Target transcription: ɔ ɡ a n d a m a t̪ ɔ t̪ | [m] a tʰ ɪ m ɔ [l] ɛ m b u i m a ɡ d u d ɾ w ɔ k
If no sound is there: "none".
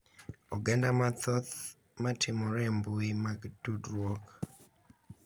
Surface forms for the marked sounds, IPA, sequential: m, ɾ

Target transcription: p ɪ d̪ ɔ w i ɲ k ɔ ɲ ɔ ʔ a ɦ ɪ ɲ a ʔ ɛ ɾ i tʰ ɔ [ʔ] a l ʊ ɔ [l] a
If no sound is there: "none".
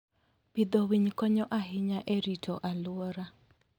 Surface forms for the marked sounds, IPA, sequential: ʔ, ɾ

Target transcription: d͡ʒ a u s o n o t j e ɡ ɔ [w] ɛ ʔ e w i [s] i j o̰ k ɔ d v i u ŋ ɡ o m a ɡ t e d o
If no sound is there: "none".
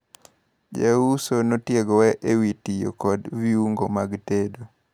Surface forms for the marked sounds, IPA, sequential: w, t

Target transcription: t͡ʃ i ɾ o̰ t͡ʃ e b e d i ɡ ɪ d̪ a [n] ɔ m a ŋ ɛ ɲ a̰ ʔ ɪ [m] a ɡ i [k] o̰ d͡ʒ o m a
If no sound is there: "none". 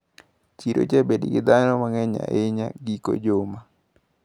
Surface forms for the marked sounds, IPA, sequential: n, ɲ, k

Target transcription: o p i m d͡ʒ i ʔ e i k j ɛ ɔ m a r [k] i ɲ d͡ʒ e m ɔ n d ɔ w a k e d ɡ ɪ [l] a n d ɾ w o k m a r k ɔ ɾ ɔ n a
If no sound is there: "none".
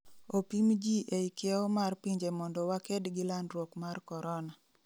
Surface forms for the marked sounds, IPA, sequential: p, l

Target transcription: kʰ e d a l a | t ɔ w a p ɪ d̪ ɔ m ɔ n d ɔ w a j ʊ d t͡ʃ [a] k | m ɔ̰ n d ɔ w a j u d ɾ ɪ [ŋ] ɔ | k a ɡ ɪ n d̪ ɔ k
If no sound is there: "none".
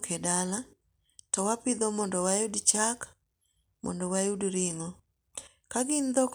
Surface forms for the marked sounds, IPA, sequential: a, ŋ

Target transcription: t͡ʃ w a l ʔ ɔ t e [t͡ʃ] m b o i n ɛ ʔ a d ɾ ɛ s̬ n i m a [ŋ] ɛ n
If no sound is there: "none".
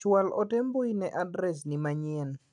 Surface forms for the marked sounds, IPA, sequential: none, ɲ

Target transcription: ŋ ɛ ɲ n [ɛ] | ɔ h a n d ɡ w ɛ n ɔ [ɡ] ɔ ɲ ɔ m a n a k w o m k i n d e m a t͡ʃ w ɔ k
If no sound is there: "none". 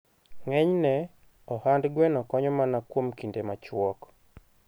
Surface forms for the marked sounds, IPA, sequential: ɛ, k

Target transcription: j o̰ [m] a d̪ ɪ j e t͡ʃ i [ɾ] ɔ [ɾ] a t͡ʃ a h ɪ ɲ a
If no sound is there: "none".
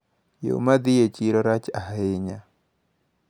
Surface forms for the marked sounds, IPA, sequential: m, ɾ, ɾ

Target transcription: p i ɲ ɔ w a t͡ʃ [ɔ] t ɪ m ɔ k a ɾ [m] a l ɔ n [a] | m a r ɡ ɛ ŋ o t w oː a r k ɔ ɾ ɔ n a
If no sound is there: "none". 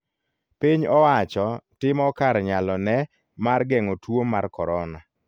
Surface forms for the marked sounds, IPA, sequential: ɔ, ɲ, ɛ

